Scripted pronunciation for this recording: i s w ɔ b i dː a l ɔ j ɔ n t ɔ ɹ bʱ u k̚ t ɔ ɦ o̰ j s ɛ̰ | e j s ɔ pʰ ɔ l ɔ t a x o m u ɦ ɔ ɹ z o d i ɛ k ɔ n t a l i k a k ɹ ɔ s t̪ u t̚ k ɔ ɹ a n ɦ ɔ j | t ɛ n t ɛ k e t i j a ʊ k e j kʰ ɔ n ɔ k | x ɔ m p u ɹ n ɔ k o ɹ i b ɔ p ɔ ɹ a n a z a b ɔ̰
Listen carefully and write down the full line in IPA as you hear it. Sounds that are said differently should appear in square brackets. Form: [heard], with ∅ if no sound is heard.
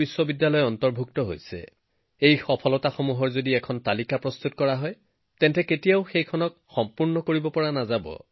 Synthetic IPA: i s w ɔ b i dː a l ɔ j ɔ n t ɔ ɹ bʱ u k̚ t ɔ ɦ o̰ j s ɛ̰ | e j [x] ɔ pʰ ɔ l ɔ t a x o m u ɦ ɔ ɹ z o d i ɛ [kʰ] ɔ n t a l i k a [p] ɹ ɔ s t̪ u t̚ k ɔ ɹ a [∅] ɦ ɔ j | t ɛ n t ɛ k e t i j a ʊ [x] e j kʰ ɔ n ɔ k | x ɔ m p u ɹ n ɔ k o ɹ i b ɔ p ɔ ɹ a n a z a b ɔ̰